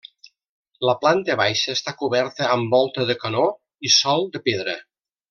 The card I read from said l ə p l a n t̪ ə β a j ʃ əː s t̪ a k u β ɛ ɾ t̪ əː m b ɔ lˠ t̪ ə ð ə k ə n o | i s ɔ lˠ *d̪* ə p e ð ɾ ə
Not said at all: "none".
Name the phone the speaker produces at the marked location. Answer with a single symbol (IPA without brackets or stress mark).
d̪